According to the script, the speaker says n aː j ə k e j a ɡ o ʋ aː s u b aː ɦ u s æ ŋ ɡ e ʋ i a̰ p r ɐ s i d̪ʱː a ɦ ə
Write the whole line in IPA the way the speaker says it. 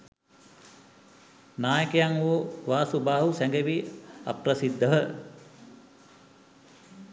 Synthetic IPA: n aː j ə k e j a ŋ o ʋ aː s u b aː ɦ u s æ ŋ ɡ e ʋ i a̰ p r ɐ s i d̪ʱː ə ɦ ə